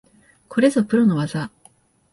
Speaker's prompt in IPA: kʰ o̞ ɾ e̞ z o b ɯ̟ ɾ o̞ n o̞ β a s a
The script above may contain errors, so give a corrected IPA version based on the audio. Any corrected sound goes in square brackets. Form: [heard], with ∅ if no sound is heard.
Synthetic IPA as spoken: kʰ o̞ ɾ e̞ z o [p] ɯ̟ ɾ o̞ n o̞ β a [z] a